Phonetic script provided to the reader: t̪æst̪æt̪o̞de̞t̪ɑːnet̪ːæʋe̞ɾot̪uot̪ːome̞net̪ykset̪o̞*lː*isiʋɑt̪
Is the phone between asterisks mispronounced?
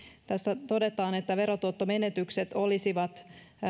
yes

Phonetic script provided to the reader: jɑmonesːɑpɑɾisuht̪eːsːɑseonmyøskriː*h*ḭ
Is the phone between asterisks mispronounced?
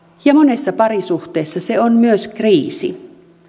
yes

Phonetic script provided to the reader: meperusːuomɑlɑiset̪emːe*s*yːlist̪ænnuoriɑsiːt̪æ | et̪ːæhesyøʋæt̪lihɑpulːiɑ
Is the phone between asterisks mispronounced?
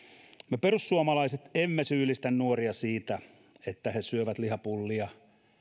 no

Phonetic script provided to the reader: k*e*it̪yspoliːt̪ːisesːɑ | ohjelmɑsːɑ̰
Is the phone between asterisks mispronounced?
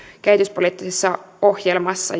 yes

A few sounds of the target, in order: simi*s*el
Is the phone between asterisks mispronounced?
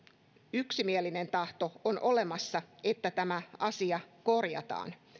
yes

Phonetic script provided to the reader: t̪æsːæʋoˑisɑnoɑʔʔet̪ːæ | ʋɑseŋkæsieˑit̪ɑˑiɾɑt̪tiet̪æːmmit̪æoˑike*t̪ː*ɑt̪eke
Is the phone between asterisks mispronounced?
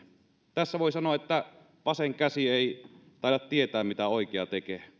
yes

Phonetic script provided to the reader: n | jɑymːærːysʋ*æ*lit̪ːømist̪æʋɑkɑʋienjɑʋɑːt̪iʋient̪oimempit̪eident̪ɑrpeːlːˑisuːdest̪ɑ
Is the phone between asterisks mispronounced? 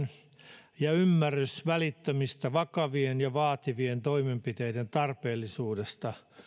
no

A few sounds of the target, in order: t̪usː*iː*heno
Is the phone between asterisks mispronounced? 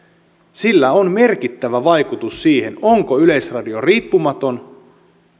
no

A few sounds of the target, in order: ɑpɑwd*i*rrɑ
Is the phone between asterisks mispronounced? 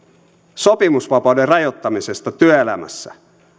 yes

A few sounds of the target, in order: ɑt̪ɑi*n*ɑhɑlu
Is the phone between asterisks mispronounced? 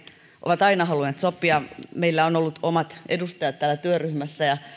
no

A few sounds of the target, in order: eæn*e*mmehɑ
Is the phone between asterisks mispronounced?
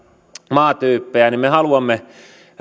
yes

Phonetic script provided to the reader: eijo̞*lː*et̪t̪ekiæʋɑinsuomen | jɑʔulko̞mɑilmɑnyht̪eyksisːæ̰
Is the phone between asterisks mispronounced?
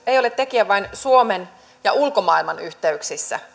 yes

